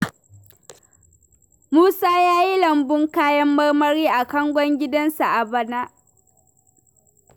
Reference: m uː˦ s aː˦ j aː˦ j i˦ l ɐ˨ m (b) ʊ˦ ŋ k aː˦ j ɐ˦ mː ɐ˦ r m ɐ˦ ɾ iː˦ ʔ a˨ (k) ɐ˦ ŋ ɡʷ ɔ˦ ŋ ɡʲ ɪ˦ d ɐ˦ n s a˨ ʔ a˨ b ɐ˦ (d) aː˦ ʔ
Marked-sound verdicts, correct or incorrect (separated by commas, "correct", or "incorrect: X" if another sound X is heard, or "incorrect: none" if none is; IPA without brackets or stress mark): correct, correct, incorrect: n